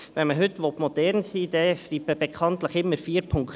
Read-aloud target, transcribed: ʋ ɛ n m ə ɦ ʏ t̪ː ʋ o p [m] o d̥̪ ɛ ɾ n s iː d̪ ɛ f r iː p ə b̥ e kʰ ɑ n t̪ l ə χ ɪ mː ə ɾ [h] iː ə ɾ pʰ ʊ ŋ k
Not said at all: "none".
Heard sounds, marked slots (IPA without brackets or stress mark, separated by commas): m, f